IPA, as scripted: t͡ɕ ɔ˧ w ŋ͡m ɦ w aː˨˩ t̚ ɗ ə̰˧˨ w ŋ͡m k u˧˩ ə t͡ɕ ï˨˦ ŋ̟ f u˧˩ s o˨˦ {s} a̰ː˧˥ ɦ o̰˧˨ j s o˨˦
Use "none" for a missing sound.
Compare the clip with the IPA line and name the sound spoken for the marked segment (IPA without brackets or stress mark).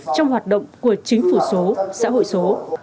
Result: s